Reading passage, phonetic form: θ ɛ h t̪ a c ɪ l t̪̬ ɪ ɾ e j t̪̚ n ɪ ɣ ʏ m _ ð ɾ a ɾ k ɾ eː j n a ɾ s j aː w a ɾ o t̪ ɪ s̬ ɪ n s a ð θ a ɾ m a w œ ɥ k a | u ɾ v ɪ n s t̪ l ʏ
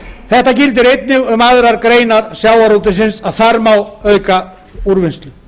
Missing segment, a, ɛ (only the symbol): a